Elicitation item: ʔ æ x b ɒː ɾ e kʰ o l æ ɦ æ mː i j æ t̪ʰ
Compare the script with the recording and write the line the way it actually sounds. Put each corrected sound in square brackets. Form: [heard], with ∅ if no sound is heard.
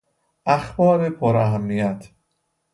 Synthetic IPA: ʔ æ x b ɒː ɾ e [pʰ] o [ɾ] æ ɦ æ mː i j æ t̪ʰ